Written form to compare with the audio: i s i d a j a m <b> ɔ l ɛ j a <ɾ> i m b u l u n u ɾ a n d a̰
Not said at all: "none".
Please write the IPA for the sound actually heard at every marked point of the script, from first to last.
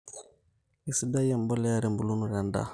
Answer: b, ɾ

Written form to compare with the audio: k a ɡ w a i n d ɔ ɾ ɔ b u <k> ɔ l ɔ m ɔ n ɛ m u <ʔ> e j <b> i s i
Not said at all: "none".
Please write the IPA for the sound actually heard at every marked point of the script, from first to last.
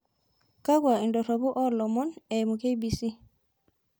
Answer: ʔ, k, b

